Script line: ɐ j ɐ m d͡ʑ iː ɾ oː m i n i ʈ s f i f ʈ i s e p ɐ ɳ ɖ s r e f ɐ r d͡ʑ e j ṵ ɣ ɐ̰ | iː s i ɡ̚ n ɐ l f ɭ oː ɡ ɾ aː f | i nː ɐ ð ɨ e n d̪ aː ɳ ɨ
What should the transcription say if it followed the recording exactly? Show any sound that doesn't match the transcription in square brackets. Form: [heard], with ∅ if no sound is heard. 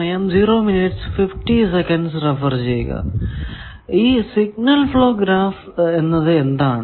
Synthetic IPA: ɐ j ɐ m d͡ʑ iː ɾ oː m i n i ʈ s f i f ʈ i s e [k] ɐ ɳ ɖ s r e f ɐ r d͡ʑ e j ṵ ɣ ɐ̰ | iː s i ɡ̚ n ɐ l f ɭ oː ɡ ɾ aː f | [e] nː ɐ ð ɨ e n d̪ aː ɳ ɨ